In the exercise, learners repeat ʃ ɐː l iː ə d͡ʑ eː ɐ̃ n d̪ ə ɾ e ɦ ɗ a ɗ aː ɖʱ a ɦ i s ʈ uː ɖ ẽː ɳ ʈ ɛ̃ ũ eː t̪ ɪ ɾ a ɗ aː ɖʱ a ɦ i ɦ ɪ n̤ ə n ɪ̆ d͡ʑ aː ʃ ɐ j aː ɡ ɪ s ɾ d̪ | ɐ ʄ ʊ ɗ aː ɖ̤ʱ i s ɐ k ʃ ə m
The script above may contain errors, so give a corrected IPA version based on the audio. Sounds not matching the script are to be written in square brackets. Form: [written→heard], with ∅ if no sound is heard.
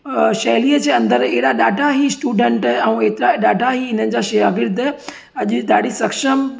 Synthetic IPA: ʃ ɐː l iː ə d͡ʑ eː ɐ̃ n d̪ ə ɾ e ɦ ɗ a ɗ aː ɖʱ a ɦ i s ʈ uː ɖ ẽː ɳ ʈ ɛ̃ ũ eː t̪ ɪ ɾ a ɗ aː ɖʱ a ɦ i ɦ ɪ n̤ ə n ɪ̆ d͡ʑ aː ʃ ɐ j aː ɡ ɪ [s→∅] ɾ d̪ | ɐ ʄ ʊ ɗ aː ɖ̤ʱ i s ɐ k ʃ ə m